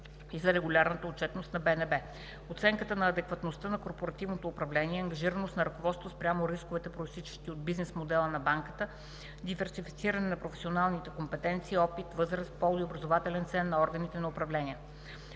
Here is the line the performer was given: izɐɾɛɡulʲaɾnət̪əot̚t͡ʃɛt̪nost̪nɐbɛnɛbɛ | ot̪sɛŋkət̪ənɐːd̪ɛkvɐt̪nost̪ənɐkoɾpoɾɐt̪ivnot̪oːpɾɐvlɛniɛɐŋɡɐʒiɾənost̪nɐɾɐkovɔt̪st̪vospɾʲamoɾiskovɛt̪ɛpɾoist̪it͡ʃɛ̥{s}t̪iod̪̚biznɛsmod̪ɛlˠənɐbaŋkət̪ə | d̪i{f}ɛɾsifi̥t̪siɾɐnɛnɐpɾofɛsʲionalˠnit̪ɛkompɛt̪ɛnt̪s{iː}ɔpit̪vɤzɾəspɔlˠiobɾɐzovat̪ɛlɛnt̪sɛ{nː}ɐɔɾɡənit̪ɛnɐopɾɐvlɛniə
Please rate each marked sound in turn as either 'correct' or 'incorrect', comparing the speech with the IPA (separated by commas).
incorrect, incorrect, correct, correct